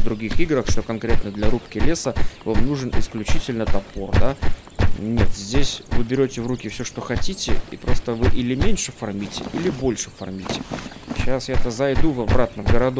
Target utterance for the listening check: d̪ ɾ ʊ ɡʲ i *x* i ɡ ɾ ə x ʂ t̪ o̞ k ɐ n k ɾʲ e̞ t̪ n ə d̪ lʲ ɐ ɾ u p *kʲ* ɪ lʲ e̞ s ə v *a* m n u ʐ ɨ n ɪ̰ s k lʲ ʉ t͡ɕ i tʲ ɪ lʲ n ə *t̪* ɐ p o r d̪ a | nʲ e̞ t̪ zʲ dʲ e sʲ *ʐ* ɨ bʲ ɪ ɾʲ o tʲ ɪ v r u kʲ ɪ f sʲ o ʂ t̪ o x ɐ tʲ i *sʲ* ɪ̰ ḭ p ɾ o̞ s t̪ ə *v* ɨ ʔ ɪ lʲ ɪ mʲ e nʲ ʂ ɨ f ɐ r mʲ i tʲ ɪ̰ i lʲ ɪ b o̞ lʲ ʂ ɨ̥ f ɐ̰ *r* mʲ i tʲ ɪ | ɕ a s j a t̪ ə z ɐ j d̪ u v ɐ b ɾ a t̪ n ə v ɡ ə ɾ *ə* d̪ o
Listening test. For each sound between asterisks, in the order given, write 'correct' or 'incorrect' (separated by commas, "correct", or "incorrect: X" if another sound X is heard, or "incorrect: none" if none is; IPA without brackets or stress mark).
correct, correct, correct, correct, incorrect: v, incorrect: tʲ, correct, correct, incorrect: ɐ